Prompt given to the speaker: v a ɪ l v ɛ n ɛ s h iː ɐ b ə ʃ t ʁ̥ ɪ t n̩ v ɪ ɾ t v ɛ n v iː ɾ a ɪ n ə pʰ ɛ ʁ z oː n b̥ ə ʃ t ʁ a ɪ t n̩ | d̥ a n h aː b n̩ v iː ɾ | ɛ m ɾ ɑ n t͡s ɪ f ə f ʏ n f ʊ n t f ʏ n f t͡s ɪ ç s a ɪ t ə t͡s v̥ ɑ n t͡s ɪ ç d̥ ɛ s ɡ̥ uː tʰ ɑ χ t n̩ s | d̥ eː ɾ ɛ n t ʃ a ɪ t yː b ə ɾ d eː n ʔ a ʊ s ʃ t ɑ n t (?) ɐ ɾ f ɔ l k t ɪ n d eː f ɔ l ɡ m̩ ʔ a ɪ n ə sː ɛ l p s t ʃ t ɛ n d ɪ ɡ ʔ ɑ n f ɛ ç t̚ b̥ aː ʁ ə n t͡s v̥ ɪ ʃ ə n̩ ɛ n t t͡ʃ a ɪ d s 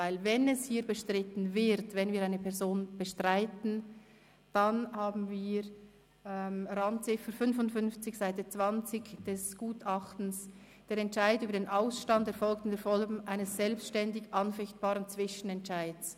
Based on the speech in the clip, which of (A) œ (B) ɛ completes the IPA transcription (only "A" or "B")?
B